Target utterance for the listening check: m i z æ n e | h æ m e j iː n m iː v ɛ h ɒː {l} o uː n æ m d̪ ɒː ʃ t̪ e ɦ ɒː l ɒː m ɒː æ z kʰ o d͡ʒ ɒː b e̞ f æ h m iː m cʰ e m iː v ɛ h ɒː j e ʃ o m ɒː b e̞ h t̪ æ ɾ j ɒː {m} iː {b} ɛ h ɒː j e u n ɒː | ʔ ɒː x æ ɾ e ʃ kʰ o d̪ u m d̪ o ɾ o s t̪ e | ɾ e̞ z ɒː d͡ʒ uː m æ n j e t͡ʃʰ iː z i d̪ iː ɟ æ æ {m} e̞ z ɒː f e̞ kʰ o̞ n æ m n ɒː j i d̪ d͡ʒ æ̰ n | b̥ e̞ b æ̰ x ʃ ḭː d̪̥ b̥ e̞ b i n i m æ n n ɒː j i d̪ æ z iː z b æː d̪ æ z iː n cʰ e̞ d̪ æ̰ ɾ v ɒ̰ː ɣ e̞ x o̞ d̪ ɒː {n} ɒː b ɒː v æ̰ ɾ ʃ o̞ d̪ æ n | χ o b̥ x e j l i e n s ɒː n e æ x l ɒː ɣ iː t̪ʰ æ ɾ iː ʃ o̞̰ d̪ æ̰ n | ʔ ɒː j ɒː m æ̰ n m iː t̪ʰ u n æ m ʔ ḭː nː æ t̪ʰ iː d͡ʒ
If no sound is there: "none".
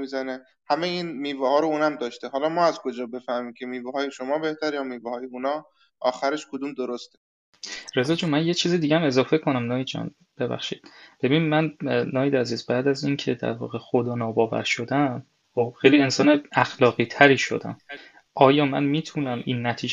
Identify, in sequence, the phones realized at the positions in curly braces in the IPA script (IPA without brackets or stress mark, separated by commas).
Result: ɾ, m, v, m, n